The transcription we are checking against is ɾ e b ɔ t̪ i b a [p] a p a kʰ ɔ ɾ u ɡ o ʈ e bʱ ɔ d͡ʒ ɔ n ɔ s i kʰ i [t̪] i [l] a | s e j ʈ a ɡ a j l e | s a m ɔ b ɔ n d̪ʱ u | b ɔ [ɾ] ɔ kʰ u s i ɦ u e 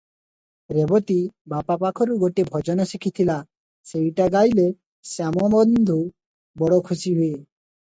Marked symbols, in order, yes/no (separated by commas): yes, no, yes, no